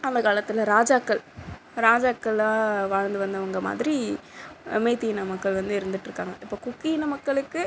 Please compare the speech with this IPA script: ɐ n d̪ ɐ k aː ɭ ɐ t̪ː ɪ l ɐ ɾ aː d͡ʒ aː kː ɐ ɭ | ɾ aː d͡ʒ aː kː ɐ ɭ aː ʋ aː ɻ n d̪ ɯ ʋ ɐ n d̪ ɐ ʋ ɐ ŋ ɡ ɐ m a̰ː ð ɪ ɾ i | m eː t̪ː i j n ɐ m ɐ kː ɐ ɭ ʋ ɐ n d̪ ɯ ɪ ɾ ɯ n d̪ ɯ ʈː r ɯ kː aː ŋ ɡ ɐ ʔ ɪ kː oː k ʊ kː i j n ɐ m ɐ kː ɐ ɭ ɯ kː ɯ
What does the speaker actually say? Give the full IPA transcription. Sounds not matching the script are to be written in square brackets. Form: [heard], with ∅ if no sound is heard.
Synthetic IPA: ɐ n d̪ ɐ k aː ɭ ɐ t̪ː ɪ l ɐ ɾ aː d͡ʒ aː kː ɐ ɭ | ɾ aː d͡ʒ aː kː ɐ ɭ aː ʋ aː ɻ n d̪ ɯ ʋ ɐ n d̪ ɐ ʋ ɐ ŋ ɡ ɐ m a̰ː ð ɪ ɾ i | m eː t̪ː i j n ɐ m ɐ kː ɐ ɭ ʋ ɐ n d̪ ɯ ɪ ɾ ɯ n d̪ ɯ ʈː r ɯ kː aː ŋ ɡ ɐ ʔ ɪ [pː] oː k ʊ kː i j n ɐ m ɐ kː ɐ ɭ ɯ kː ɯ